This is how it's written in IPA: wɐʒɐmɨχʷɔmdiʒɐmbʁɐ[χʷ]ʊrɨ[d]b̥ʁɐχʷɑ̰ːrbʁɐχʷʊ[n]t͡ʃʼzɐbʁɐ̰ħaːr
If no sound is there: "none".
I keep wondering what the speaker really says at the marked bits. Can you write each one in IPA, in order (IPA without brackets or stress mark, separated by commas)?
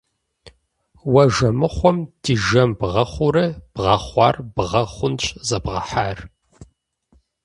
χʷ, none, n